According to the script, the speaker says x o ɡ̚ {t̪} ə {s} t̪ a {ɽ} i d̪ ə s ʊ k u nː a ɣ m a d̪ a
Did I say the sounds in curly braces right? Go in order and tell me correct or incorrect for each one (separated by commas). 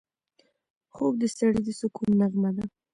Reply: incorrect, correct, correct